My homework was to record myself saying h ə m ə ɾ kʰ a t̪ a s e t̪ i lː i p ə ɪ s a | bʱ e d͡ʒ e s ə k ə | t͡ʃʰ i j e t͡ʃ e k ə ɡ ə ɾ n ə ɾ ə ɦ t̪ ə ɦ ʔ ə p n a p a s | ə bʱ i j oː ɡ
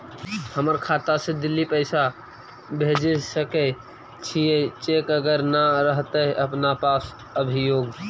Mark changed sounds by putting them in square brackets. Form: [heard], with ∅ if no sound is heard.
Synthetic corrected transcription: h ə m ə ɾ kʰ a t̪ a s e [d̪] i lː i p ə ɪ s a | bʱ e d͡ʒ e s ə k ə | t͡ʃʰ i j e t͡ʃ e k ə ɡ ə ɾ n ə ɾ ə ɦ t̪ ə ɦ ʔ ə p n a p a s | ə bʱ i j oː ɡ